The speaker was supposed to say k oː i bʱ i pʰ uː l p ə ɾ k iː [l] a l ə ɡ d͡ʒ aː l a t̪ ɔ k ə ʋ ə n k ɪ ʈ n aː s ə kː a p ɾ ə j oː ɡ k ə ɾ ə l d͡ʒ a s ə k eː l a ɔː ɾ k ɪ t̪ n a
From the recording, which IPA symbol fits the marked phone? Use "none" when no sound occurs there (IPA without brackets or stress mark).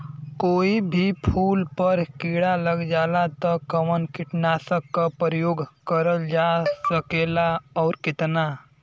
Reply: ɽ